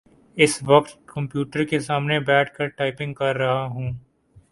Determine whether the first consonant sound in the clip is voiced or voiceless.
voiceless